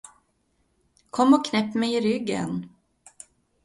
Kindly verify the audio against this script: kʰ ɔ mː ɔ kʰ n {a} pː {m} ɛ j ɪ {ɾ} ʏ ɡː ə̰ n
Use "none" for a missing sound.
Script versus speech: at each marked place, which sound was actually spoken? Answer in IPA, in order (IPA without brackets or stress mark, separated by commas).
ɛ, m, ɾ